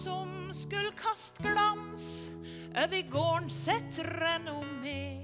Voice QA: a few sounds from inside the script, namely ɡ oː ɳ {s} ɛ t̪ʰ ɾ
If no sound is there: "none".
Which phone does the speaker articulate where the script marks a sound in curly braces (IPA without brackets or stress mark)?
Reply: s